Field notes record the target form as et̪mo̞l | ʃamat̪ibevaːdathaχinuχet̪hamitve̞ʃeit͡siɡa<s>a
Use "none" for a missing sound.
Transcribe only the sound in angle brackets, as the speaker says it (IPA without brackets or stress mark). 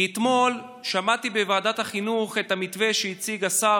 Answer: s